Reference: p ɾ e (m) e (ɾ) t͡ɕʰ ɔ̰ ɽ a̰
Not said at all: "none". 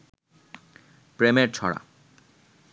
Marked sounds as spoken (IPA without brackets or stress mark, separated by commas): m, ɾ